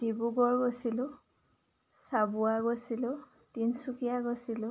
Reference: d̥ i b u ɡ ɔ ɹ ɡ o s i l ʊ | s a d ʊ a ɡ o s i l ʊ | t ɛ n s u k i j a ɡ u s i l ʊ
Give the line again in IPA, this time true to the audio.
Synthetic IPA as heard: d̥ i b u ɡ ɔ ɹ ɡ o s i l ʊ | s a b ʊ a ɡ o s i l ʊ | t i n s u k i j a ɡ o s i l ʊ